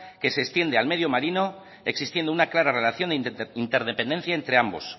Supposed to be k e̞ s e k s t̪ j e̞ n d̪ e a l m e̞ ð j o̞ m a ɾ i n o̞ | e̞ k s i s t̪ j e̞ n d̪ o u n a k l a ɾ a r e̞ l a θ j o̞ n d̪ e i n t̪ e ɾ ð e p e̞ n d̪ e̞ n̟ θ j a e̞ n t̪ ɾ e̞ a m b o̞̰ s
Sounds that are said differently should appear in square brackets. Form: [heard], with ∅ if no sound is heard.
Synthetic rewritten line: k e̞ s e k s t̪ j e̞ n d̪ e a l m e̞ ð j o̞ m a ɾ i n o̞ | e̞ k s i s t̪ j e̞ n d̪ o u n a k l a ɾ a r e̞ l a θ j o̞ n d̪ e i n t̪ e ɾ ð e p e̞ n d̪ e̞ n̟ θ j a e̞ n t̪ ɾ e̞ a m b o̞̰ s

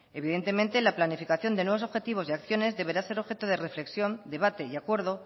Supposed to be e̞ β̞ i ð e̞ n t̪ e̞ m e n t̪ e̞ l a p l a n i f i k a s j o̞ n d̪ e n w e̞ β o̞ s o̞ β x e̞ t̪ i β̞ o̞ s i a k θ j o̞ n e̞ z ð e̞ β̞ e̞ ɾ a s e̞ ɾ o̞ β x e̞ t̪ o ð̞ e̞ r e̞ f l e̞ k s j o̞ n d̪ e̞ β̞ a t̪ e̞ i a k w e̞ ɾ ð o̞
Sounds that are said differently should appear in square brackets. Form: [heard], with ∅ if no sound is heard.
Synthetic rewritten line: e̞ β̞ i ð e̞ n t̪ e̞ m e n t̪ e̞ l a p l a n i f i k a [θ] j o̞ n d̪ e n w e̞ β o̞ s o̞ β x e̞ t̪ i β̞ o̞ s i a k θ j o̞ n e̞ z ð e̞ β̞ e̞ ɾ a s e̞ ɾ o̞ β x e̞ t̪ o ð̞ e̞ r e̞ f l e̞ k s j o̞ n d̪ e̞ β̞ a t̪ e̞ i a k w e̞ ɾ ð o̞

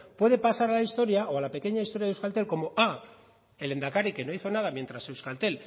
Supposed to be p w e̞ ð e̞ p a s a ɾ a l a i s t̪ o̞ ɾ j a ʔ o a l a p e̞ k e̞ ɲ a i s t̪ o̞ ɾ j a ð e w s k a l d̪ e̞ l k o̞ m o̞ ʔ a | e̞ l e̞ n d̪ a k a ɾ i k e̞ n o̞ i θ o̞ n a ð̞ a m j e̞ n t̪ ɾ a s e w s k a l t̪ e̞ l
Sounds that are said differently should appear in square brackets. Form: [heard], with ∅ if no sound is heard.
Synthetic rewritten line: p w e̞ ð e̞ p a s a ɾ a l a i s t̪ o̞ ɾ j a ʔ o a l a p e̞ k e̞ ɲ a i s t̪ o̞ ɾ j a ð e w s k a l [t̪] e̞ l k o̞ m o̞ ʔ a | e̞ l e̞ n d̪ a k a ɾ i k e̞ n o̞ i θ o̞ n a ð̞ a m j e̞ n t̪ ɾ a s e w s k a l t̪ e̞ l

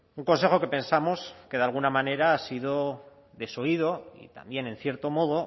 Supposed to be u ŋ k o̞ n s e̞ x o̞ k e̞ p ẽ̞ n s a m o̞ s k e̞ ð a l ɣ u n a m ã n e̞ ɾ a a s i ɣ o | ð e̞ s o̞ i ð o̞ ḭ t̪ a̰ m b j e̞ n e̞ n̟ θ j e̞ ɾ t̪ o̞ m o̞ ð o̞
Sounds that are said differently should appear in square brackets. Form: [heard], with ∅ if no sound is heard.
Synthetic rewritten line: u ŋ k o̞ n s e̞ x o̞ k e̞ p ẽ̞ n s a m o̞ s k e̞ ð a l ɣ u n a m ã n e̞ ɾ a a s i [ð] o | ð e̞ s o̞ i ð o̞ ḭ t̪ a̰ m b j e̞ n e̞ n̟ θ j e̞ ɾ t̪ o̞ m o̞ ð o̞

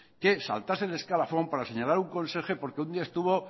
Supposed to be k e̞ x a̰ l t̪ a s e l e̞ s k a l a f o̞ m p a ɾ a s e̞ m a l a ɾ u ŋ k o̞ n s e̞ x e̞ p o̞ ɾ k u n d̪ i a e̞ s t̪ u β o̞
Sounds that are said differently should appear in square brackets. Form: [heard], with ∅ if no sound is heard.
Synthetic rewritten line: k e̞ [s] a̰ l t̪ a s e l e̞ s k a l a f o̞ m p a ɾ a s e̞ [ɲ] a l a ɾ u ŋ k o̞ n s e̞ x e̞ p o̞ ɾ k u n d̪ i a e̞ s t̪ u β o̞

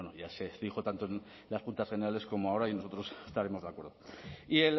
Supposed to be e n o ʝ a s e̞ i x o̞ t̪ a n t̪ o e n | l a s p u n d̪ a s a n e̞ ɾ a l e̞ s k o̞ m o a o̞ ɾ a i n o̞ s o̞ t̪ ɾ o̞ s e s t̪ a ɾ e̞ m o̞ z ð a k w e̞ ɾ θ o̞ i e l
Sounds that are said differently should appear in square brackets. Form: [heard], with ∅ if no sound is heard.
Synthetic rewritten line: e n o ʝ a s e̞ i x o̞ t̪ a n t̪ o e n | l a s p u n [t̪] a s [e] n e̞ ɾ a l e̞ s k o̞ m o a o̞ ɾ a i n o̞ s o̞ t̪ ɾ o̞ s e s t̪ a ɾ e̞ m o̞ z ð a k w e̞ ɾ [ð] o̞ i e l

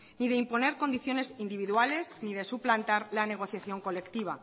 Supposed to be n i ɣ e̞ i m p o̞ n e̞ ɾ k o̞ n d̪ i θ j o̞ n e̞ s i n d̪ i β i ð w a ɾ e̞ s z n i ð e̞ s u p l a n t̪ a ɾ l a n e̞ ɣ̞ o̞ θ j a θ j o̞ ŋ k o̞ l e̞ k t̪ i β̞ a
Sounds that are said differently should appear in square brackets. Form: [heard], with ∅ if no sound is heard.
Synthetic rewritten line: n i [ð] e̞ i m p o̞ n e̞ ɾ k o̞ n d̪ i θ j o̞ n e̞ s i n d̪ i β i ð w a [l] e̞ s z n i ð e̞ s u p l a n t̪ a ɾ l a n e̞ ɣ̞ o̞ θ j a θ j o̞ ŋ k o̞ l e̞ k t̪ i β̞ a

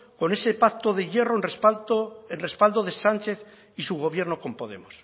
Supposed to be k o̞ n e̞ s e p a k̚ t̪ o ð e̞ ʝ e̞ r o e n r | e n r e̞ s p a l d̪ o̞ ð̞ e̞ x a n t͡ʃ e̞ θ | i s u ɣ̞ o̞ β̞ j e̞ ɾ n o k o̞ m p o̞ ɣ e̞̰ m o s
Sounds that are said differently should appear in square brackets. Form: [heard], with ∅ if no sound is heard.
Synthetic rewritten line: k o̞ n e̞ s e p a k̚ t̪ o ð e̞ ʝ e̞ r o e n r | e n r e̞ s p a l d̪ o̞ ð̞ e̞ [s] a n t͡ʃ e̞ θ | i s u ɣ̞ o̞ β̞ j e̞ ɾ n o k o̞ m p o̞ [ð] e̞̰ m o s

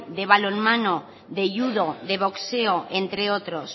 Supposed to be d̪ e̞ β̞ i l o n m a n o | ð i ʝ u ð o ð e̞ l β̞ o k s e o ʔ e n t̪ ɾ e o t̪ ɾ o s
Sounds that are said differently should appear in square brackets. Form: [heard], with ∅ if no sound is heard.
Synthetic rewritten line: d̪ e̞ β̞ [a] l o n m a n o | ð [e] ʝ u ð o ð e̞ [∅] β̞ o k s e o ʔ e n t̪ ɾ e o t̪ ɾ o s

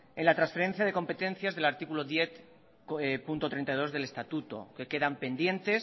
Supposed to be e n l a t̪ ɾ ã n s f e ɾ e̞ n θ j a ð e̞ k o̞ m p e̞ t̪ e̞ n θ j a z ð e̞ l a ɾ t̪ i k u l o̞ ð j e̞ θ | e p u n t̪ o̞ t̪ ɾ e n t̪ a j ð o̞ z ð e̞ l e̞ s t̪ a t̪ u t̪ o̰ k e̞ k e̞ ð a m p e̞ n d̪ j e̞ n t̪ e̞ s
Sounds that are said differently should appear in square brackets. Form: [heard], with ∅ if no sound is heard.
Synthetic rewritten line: e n l a t̪ ɾ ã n s f e ɾ e̞ n θ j a ð e̞ k o̞ m p e̞ t̪ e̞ n θ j a z ð e̞ l a ɾ t̪ i k u l o̞ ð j e̞ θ | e p u n t̪ o̞ t̪ ɾ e n t̪ a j ð o̞ z ð e̞ l e̞ s t̪ a t̪ u t̪ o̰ k e̞ k e̞ ð a m p e̞ n d̪ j e̞ n t̪ e̞ s

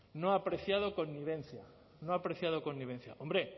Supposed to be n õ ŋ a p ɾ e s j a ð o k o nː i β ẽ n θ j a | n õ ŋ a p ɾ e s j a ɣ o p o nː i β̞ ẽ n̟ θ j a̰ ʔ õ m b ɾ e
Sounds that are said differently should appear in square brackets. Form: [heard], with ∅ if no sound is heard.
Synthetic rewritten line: n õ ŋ a p ɾ e [θ] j a ð o k o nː i β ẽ n θ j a | n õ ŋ a p ɾ e [θ] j a [ð] o [k] o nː i β̞ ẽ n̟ θ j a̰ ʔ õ m b ɾ e

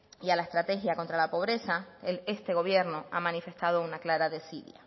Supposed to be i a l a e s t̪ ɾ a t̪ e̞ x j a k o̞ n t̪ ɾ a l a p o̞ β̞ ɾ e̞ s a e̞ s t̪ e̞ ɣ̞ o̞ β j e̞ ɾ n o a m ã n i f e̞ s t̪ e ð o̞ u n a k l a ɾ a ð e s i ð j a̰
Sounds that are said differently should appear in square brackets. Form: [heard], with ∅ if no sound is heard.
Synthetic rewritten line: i a l a e s t̪ ɾ a t̪ e̞ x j a k o̞ n t̪ ɾ a l a p o̞ β̞ ɾ e̞ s a e̞ s t̪ e̞ ɣ̞ o̞ β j e̞ ɾ n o a m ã n i f e̞ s t̪ [a] ð o̞ u n a k l a ɾ a ð e s i ð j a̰

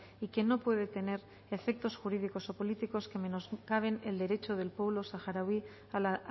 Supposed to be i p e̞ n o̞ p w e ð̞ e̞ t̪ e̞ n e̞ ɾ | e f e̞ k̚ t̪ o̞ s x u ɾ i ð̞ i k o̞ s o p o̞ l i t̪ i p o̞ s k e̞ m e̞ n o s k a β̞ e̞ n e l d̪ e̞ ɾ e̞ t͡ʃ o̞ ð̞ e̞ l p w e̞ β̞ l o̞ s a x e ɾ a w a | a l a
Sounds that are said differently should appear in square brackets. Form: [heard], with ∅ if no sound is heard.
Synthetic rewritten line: i [k] e̞ n o̞ p w e ð̞ e̞ t̪ e̞ n e̞ ɾ | e f e̞ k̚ t̪ o̞ s x u ɾ i ð̞ i k o̞ s o p o̞ l i t̪ i [k] o̞ s k e̞ m e̞ n o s k a β̞ e̞ n e l d̪ e̞ ɾ e̞ t͡ʃ o̞ ð̞ e̞ l p w e̞ β̞ l o̞ s a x [a] ɾ a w [i] | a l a

